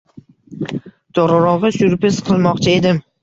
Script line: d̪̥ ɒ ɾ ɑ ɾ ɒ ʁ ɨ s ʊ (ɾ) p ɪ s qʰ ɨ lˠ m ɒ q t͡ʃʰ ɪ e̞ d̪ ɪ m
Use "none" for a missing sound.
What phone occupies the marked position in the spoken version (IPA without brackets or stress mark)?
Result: ɾ